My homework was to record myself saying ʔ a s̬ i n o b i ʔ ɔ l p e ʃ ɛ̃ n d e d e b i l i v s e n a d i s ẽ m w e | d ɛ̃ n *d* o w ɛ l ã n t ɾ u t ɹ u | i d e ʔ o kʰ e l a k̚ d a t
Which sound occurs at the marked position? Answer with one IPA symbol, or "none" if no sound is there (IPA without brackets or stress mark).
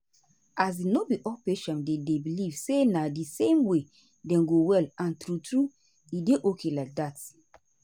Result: ɡ